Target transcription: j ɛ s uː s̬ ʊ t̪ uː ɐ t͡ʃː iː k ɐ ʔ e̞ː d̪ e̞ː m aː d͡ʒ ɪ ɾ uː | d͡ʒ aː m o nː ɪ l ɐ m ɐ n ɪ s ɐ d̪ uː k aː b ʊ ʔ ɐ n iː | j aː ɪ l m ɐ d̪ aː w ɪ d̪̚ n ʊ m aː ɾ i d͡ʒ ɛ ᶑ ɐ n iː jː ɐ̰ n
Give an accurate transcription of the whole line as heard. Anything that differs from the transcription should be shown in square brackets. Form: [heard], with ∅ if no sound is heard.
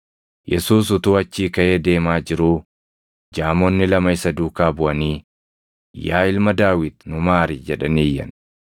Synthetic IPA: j ɛ s uː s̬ ʊ t̪ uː ɐ t͡ʃː iː k ɐ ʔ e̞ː d̪ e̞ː m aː d͡ʒ ɪ ɾ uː | d͡ʒ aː m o nː ɪ l ɐ m ɐ [∅] ɪ s ɐ d̪ uː k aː b ʊ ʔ ɐ n iː | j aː ɪ l m ɐ d̪ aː w ɪ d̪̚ n ʊ m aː ɾ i d͡ʒ ɛ ᶑ ɐ n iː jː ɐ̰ n